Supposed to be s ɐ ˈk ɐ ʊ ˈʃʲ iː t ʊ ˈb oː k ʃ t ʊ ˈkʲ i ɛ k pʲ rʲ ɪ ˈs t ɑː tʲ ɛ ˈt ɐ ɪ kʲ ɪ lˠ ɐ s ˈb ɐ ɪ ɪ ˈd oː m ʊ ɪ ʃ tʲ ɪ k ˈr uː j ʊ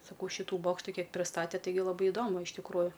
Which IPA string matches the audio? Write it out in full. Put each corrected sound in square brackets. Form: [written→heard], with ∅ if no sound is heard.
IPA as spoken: s ɐ ˈk ɐ ʊ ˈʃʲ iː t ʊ ˈb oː k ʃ t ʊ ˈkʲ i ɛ k pʲ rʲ ɪ ˈs t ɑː tʲ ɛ ˈt ɐ ɪ [kʲ→ɡʲ] ɪ lˠ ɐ [s→∅] ˈb ɐ ɪ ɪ ˈd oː m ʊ ɪ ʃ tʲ ɪ k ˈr uː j ʊ